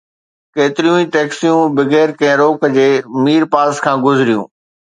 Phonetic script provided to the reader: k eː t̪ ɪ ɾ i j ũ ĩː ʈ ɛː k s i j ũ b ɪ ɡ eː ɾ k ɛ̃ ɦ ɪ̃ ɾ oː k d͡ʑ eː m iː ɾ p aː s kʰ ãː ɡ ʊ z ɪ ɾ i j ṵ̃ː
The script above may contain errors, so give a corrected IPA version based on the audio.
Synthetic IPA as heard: k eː t̪ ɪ ɾ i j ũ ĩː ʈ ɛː k s i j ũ b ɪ ɡ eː ɾ k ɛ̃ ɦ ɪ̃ ɾ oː k d͡ʑ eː m iː ɾ p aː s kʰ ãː ɡ ʊ z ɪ ɾ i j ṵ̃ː